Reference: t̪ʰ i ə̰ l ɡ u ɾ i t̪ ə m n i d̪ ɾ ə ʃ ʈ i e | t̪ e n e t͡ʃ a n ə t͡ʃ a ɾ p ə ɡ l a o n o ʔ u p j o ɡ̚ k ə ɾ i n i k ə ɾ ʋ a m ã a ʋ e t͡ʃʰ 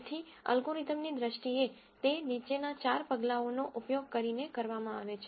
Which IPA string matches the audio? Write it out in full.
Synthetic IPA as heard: t̪ʰ i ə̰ l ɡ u ɾ i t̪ ə m n i d̪ ɾ ə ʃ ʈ i e | t̪ e n i t͡ʃ e n a t͡ʃ a ɾ p ə ɡ l a o n o ʔ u p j o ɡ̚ k ə ɾ i n e k ə ɾ ʋ a m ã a ʋ e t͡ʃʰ